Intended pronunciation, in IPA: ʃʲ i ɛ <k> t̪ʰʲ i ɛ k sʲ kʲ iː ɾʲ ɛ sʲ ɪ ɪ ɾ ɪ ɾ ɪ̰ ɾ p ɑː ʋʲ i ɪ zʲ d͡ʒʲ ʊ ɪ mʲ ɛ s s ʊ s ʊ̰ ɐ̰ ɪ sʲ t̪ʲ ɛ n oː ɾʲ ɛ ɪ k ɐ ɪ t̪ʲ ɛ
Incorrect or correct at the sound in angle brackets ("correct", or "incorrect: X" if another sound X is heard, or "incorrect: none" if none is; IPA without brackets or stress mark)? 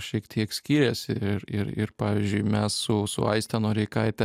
correct